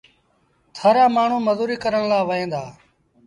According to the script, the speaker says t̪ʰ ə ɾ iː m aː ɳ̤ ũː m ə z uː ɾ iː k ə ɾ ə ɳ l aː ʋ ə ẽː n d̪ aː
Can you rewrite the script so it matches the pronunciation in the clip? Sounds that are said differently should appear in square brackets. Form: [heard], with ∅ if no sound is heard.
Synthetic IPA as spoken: t̪ʰ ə ɾ [aː] m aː ɳ̤ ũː m ə z uː ɾ iː k ə ɾ ə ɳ l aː ʋ ə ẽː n d̪ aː